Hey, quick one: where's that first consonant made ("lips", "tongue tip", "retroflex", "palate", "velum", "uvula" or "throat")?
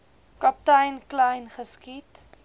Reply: velum